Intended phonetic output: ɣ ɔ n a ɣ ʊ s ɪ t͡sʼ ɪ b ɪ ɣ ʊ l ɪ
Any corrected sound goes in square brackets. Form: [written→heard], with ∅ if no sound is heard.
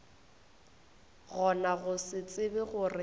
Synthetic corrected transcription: ɣ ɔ n a ɣ ʊ s ɪ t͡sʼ ɪ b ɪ ɣ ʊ [l→r] ɪ